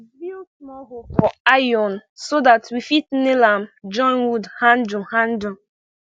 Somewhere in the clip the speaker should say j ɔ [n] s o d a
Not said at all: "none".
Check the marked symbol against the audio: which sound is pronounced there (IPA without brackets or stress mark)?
n